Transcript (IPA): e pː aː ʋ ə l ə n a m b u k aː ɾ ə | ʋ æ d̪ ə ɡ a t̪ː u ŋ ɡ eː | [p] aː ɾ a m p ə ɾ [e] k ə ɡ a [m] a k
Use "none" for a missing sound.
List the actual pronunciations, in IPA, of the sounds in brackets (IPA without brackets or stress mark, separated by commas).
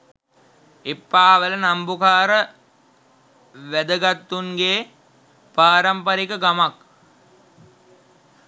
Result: p, i, m